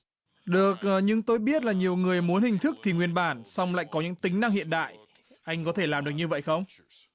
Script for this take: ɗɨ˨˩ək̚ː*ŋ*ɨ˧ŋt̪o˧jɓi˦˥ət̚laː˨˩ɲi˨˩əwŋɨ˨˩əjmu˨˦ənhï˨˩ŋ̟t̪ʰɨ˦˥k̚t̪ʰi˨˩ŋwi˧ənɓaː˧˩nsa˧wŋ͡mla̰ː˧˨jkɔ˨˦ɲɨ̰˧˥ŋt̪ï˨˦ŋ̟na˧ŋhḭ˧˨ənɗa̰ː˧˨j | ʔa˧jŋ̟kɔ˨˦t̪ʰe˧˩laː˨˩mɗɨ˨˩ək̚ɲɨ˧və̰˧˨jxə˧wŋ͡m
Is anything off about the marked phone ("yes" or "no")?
yes